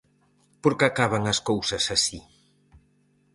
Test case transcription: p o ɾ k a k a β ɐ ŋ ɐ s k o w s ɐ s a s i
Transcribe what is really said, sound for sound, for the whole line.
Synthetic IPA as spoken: p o ɾ k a k a β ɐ ŋ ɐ s k o w s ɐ s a s i

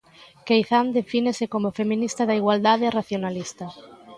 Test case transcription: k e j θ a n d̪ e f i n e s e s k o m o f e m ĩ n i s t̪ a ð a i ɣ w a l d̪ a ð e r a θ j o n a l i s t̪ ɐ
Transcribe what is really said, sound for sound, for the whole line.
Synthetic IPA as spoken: k e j θ a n d̪ e f i n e s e k o m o f e m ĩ n i s t̪ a ð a i ɣ w a l d̪ a ð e r a θ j o n a l i s t̪ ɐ

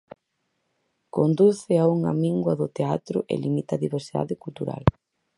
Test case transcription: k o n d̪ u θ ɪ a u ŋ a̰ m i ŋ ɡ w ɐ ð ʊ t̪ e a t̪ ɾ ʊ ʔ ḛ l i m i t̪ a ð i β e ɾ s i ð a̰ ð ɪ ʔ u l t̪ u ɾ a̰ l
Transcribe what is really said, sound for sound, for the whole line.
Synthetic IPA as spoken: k o n d̪ u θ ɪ a u ŋ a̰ m i ŋ ɡ w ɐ ð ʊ t̪ e a t̪ ɾ ʊ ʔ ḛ l i m i t̪ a ð i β e ɾ s i ð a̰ ð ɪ k u l t̪ u ɾ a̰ l

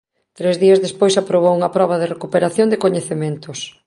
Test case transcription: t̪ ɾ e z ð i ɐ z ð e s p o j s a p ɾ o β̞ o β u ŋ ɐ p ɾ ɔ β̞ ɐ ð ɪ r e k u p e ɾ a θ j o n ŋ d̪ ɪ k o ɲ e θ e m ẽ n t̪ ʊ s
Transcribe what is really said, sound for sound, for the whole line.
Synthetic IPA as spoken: t̪ ɾ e z ð i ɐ z ð e s p o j s a p ɾ o β̞ o w u ŋ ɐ p ɾ ɔ β̞ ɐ ð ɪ r e k u p e ɾ a θ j o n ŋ d̪ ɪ k o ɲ e θ e m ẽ n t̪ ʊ s

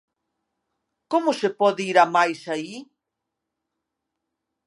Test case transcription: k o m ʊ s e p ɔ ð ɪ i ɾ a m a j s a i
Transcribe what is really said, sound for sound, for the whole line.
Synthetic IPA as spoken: k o m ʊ s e p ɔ ð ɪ i ɾ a m a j s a i

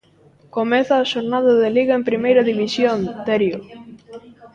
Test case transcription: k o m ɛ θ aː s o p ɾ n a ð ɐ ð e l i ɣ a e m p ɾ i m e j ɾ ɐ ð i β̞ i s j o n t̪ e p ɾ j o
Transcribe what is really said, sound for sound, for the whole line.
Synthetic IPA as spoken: k o m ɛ θ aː ʃ o ɾ n a ð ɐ ð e l i ɣ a e m p ɾ i m e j ɾ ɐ ð i β̞ i s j o n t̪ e ɾ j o

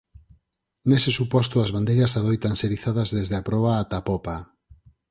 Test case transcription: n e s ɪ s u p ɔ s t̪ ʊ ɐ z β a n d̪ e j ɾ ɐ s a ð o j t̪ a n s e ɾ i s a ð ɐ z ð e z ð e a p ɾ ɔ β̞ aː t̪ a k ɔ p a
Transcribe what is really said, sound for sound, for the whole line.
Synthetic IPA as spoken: n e s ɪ s u p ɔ s t̪ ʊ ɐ z β a n d̪ e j ɾ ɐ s a ð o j t̪ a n s e ɾ i θ a ð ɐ z ð e z ð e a p ɾ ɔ β̞ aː t̪ a p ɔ p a

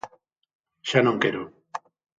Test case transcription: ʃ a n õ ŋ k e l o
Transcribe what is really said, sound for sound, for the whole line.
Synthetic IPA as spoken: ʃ a n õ ŋ k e ɾ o

